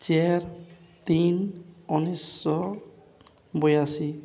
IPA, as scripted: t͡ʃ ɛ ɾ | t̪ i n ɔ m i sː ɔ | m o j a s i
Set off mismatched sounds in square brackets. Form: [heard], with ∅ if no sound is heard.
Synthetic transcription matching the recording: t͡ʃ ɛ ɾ | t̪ i n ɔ [n] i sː ɔ | [b] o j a s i